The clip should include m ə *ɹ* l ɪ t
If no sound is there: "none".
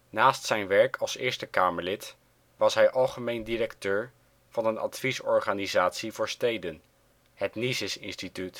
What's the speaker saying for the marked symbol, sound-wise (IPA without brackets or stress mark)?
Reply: ɹ